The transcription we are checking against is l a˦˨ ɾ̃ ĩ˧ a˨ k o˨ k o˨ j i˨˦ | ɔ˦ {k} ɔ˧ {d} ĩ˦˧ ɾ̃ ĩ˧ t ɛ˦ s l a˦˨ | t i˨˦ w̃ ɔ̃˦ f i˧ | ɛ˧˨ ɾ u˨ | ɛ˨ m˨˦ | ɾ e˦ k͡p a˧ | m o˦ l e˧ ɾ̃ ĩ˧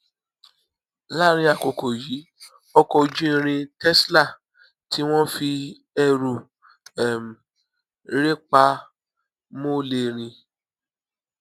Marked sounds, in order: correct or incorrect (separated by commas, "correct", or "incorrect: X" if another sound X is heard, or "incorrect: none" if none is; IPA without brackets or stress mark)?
correct, incorrect: d͡ʒ